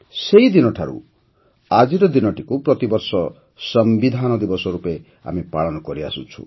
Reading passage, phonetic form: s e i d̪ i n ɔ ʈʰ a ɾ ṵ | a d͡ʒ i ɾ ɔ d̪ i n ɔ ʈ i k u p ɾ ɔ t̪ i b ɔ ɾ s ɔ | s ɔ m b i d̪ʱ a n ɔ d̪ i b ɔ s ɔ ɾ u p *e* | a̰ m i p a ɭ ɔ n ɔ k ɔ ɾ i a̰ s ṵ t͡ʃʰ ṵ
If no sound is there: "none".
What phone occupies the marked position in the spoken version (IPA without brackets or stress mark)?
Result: e